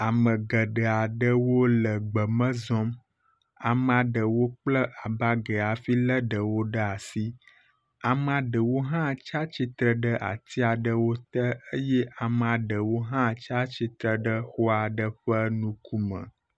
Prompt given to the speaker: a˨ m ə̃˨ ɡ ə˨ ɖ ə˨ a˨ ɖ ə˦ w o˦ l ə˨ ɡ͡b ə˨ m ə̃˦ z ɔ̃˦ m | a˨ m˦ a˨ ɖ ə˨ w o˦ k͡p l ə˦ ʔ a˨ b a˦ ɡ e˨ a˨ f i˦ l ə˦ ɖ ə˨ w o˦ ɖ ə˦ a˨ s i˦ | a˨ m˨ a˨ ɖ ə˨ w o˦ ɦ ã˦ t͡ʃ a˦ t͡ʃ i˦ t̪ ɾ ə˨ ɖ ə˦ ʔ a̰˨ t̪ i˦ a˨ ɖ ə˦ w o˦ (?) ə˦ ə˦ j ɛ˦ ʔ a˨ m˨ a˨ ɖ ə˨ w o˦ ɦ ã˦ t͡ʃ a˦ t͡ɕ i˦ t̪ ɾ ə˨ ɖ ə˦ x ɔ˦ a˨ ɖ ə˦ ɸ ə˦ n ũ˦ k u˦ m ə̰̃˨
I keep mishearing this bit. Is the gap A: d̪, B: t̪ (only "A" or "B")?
B